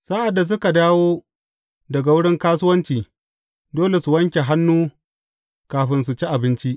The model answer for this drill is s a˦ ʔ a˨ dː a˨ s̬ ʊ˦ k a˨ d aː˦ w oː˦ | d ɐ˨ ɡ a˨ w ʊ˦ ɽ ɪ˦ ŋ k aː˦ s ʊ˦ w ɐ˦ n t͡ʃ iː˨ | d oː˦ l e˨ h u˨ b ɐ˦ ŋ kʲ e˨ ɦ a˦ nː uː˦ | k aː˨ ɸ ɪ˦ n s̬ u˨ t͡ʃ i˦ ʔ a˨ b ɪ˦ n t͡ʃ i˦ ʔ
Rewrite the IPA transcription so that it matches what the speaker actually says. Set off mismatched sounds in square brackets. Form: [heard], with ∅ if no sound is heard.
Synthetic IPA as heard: s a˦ ʔ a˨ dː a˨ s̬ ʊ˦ k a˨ d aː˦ w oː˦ | d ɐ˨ ɡ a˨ w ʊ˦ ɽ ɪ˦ ŋ k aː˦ s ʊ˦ w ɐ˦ n t͡ʃ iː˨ | d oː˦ l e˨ [s] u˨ [w] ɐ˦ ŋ kʲ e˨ ɦ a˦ nː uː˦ | k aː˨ ɸ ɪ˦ n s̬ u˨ t͡ʃ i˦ ʔ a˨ b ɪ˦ n t͡ʃ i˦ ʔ

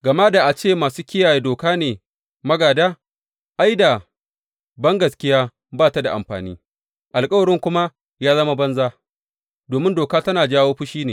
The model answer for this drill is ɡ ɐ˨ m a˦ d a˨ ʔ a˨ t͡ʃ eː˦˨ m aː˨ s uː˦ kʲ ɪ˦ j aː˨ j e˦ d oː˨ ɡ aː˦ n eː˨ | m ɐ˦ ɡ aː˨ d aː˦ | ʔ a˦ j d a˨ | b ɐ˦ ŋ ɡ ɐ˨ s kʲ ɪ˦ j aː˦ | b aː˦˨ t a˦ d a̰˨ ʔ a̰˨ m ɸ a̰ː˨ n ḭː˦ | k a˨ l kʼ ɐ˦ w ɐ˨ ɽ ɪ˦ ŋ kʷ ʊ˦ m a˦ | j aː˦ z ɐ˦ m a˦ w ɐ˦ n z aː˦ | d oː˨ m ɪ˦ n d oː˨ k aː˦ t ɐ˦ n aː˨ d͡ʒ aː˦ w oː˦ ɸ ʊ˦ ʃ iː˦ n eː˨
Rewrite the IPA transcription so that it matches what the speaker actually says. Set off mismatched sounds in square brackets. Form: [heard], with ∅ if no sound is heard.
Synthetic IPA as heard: ɡ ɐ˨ m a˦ d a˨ ʔ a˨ t͡ʃ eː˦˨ m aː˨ s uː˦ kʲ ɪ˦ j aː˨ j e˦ d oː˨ [k] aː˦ n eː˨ | m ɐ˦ ɡ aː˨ d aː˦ | ʔ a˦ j d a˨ | b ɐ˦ ŋ ɡ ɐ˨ s kʲ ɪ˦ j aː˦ | b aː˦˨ t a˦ d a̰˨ ʔ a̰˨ m ɸ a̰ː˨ n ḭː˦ | [ʔ] a˨ l kʼ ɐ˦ w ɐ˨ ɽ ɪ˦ ŋ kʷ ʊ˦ m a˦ | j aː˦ z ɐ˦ m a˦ [b] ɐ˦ n z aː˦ | d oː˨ m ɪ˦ n d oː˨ k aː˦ t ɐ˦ n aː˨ d͡ʒ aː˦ w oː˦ ɸ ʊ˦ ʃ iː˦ n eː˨

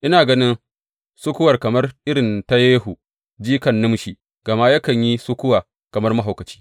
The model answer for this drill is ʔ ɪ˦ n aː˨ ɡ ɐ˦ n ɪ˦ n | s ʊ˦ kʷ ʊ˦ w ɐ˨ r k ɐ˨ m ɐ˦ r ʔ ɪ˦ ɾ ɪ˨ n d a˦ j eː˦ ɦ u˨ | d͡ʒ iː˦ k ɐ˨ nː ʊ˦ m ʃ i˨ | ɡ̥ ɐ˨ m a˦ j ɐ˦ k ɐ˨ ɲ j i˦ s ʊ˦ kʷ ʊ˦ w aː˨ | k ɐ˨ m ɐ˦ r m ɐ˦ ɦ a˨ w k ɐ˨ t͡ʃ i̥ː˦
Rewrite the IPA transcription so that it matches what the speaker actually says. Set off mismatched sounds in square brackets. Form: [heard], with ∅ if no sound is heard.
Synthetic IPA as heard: ʔ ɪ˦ n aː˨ ɡ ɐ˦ n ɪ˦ n | s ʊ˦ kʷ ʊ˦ w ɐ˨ r k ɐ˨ m ɐ˦ r ʔ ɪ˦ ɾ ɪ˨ n [t] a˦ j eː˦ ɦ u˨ | d͡ʒ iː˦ k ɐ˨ nː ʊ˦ m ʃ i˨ | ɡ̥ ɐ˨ m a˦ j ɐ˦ k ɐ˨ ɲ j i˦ s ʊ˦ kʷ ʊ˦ w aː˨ | k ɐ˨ m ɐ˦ r m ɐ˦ ɦ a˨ w k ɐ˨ t͡ʃ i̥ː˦

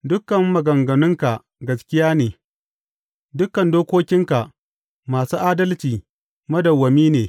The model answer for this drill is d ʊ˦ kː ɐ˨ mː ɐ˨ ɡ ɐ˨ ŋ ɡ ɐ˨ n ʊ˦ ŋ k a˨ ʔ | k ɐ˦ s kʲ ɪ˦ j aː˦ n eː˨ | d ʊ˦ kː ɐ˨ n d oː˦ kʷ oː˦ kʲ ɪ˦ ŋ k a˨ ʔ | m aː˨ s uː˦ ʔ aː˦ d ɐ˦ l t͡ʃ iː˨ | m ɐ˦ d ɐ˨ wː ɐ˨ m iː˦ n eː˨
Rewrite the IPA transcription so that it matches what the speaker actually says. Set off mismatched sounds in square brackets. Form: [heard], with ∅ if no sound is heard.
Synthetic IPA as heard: d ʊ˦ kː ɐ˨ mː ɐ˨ ɡ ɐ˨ ŋ ɡ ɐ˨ n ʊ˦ ŋ k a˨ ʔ | [ɡ] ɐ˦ s kʲ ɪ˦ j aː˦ n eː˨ | d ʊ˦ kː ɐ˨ n d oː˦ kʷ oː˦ kʲ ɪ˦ ŋ k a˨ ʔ | m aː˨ s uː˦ ʔ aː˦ d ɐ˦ l t͡ʃ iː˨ | m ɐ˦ d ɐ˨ wː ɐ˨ m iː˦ n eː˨

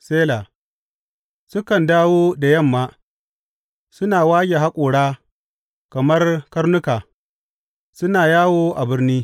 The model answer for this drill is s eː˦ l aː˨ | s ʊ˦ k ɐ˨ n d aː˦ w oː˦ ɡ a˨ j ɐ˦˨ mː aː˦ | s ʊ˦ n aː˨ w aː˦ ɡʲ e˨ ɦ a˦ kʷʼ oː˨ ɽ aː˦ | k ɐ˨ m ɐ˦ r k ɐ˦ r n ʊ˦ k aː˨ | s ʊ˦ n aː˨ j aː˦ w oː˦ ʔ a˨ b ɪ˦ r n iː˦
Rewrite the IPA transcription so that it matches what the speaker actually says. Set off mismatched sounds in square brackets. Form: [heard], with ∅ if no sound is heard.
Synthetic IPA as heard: s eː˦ l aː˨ | s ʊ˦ k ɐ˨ n d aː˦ w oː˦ [d] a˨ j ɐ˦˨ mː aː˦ | s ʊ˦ n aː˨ w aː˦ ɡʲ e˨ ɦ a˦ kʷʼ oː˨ ɽ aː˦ | k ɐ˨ m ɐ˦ r k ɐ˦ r n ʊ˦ k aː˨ | s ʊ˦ n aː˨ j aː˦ w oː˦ ʔ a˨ b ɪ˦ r n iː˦

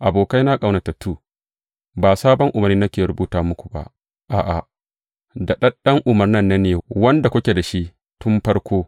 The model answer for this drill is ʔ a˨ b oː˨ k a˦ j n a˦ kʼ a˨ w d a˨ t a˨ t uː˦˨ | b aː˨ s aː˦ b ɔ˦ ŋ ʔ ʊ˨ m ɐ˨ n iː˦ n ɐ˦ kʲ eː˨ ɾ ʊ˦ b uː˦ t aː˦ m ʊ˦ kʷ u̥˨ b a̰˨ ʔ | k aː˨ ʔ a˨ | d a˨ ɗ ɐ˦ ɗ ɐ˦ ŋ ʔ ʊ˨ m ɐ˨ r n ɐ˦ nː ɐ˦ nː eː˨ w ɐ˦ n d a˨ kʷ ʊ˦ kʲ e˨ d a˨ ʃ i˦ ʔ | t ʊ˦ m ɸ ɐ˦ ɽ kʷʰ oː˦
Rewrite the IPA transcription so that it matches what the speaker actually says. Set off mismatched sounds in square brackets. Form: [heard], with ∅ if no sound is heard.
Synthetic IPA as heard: ʔ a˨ b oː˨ k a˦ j n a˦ kʼ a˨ w [n] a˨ t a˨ t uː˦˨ | b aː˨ s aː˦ b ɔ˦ ŋ ʔ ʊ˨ m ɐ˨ n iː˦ n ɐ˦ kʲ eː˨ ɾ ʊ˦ b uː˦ t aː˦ m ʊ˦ kʷ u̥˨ b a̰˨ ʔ | [ʔ] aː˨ ʔ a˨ | d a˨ ɗ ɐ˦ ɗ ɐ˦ ŋ ʔ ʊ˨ m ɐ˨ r n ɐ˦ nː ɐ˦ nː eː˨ w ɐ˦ n d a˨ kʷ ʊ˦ kʲ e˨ d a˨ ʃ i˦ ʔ | t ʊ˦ m ɸ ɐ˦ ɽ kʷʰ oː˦

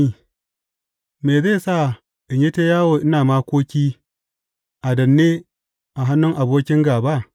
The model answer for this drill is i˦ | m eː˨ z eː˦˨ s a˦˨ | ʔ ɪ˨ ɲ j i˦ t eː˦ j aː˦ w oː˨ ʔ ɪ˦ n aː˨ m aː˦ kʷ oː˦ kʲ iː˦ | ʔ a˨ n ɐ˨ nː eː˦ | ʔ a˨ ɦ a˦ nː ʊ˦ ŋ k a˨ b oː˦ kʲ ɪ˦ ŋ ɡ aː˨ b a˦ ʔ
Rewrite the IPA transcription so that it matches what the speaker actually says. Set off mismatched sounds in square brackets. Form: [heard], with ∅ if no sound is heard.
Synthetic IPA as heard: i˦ | m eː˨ z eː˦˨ s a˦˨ | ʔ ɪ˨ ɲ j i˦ t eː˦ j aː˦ w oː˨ ʔ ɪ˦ n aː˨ m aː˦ kʷ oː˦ kʲ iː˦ | ʔ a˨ [d] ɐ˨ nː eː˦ | ʔ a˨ ɦ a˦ nː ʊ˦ ŋ [ʔ] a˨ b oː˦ kʲ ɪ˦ ŋ ɡ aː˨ b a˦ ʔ

